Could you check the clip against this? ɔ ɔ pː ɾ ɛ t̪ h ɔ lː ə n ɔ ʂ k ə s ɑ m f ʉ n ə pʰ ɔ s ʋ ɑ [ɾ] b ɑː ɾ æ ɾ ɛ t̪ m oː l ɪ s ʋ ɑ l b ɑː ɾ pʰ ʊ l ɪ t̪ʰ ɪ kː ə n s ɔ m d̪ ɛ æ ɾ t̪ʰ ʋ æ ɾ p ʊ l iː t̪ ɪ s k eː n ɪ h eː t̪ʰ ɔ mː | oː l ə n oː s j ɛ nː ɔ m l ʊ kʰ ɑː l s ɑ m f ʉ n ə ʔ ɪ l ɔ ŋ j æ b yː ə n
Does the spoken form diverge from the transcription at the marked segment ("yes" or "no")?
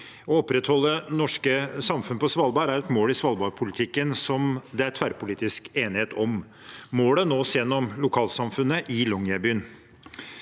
yes